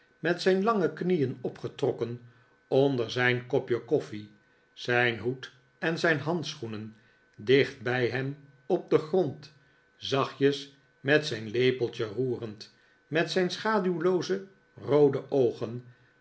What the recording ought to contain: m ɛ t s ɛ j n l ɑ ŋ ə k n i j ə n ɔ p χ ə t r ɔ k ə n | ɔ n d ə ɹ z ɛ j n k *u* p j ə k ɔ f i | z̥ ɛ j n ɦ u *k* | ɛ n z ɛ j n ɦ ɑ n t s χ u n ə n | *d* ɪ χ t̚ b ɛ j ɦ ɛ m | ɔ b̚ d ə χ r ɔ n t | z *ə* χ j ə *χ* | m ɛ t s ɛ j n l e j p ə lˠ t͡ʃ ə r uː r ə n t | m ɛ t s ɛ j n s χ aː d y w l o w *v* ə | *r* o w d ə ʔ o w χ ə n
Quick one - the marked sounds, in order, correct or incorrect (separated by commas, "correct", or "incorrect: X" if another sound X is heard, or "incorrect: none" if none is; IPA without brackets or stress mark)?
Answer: incorrect: ɔ, incorrect: t, correct, incorrect: ɑ, incorrect: s, incorrect: z, correct